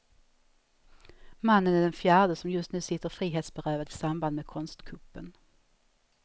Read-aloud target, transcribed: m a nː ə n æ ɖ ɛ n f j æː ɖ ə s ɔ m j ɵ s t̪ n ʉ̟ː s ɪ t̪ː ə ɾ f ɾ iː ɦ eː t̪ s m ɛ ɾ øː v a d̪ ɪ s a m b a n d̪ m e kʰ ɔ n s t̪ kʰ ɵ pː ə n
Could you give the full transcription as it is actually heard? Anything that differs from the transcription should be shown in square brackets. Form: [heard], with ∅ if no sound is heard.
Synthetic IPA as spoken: m a nː ə n æ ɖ ɛ n f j æː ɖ ə s ɔ m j ɵ s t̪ n ʉ̟ː s ɪ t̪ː ə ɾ f ɾ iː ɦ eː t̪ s [b] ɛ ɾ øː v a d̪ ɪ s a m b a n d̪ m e kʰ ɔ n s t̪ kʰ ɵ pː ə n